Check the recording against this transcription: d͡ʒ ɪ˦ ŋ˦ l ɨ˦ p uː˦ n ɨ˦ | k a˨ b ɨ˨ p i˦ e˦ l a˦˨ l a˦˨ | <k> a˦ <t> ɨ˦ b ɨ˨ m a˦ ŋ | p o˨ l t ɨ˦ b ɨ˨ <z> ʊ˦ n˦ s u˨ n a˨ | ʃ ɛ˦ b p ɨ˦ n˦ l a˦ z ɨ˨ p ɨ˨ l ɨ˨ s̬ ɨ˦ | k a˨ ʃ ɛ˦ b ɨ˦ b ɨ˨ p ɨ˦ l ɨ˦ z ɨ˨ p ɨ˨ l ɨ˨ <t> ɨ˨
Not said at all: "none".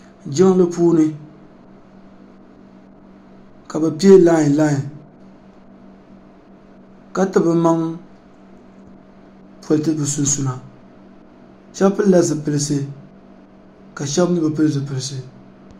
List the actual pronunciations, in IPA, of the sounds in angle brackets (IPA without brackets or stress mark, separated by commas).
k, t, s, s